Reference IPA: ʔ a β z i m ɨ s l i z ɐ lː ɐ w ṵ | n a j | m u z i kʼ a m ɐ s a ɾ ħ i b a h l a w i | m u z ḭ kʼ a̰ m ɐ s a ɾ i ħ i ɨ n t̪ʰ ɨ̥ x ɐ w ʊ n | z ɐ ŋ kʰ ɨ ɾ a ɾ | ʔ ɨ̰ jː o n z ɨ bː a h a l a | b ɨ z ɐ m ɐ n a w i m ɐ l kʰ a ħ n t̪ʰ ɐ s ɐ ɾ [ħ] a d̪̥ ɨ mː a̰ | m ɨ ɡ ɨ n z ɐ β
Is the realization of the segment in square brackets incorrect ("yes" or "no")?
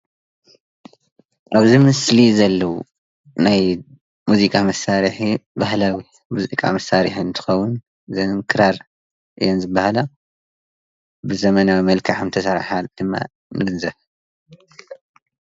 no